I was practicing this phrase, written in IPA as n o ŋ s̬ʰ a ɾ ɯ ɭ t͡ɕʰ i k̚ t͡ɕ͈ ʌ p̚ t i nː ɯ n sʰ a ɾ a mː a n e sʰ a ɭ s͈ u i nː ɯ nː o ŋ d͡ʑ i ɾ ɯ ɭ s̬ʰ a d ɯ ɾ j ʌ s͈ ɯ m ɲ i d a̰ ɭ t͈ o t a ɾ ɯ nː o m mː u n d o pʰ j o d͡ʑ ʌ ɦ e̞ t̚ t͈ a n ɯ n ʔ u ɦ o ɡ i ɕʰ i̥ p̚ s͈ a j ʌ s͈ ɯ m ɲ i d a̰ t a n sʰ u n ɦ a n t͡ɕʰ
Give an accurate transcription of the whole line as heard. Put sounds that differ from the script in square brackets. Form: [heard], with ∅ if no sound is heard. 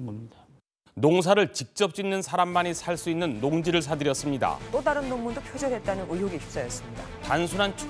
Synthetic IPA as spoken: n o ŋ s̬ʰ a ɾ ɯ ɭ [t͡ɕ] i k̚ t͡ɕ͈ ʌ p̚ [t͡ɕ͈] i nː ɯ n sʰ a ɾ a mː a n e sʰ a ɭ s͈ u i nː ɯ nː o ŋ d͡ʑ i ɾ ɯ ɭ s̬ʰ a d ɯ ɾ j ʌ s͈ ɯ m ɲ i d a̰ [∅] t͈ o [d] a ɾ ɯ nː o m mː u n d o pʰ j o d͡ʑ ʌ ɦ e̞ t̚ t͈ a n ɯ n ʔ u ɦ o ɡ i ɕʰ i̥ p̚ s͈ a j ʌ s͈ ɯ m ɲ i d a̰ t a n sʰ u n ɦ a n t͡ɕʰ